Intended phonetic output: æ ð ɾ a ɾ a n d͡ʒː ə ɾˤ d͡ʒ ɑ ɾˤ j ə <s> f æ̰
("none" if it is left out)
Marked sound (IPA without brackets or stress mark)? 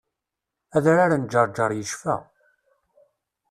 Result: ʃ